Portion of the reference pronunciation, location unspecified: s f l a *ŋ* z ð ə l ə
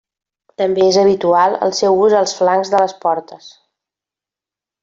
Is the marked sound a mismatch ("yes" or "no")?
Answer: no